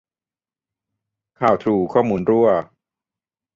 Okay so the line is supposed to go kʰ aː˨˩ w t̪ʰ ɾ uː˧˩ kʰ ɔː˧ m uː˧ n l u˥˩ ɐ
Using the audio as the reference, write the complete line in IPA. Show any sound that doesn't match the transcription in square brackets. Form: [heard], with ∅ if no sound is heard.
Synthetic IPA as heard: kʰ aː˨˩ w t̪ʰ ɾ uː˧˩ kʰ [ɔː˥˩] m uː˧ n [ɾ] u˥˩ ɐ